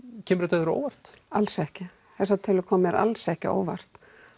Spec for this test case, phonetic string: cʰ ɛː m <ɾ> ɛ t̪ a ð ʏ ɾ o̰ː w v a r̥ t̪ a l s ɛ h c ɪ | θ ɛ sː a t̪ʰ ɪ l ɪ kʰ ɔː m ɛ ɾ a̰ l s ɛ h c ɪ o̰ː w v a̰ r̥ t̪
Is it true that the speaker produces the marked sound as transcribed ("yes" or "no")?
yes